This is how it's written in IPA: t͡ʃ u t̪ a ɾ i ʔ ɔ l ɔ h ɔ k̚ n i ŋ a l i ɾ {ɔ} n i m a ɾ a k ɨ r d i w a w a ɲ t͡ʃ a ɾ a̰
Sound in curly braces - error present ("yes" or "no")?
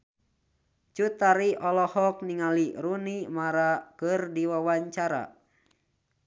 yes